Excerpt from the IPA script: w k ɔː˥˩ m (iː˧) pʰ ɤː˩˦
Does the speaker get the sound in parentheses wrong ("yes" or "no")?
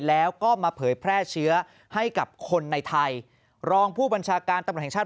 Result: yes